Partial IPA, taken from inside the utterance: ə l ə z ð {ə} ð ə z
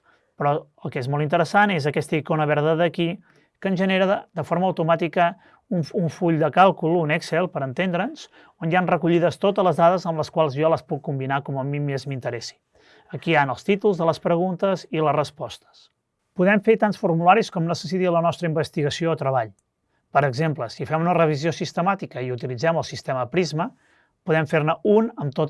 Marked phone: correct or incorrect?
incorrect